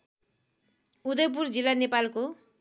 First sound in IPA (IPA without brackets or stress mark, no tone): u